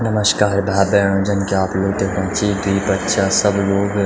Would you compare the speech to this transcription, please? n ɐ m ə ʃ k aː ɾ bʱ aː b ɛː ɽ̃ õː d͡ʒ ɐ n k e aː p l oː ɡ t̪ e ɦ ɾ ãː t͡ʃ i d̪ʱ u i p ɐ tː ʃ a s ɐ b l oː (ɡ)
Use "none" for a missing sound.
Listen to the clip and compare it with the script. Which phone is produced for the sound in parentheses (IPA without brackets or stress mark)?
ɡ